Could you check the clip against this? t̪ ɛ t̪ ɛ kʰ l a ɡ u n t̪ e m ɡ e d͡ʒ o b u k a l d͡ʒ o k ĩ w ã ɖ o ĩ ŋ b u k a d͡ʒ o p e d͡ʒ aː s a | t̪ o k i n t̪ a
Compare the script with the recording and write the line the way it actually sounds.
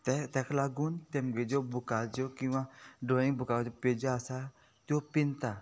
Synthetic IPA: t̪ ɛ t̪ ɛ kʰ l a ɡ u n t̪ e m ɡ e d͡ʒ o b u k a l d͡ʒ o k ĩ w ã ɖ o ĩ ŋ b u k a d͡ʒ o p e d͡ʒ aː s a | t̪ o p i n t̪ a